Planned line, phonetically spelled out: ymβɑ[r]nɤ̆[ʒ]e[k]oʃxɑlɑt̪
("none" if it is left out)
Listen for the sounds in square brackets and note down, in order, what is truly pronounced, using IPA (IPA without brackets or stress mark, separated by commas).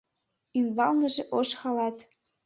l, ʒ, ʔ